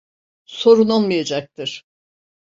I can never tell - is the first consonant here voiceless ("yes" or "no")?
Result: yes